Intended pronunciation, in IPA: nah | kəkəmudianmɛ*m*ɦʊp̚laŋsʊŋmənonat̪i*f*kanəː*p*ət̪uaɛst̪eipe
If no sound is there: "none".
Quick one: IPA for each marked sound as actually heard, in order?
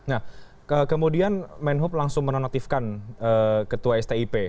n, f, k

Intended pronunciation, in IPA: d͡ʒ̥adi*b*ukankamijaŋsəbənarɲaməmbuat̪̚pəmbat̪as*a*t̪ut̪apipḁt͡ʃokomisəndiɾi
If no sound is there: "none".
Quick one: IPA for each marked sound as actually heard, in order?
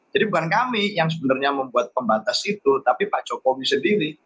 b, i

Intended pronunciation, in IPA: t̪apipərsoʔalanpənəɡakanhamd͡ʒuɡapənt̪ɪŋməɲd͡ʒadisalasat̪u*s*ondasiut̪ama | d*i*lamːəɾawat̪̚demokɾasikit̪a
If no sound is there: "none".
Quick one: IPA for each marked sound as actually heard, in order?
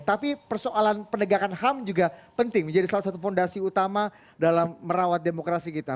f, a

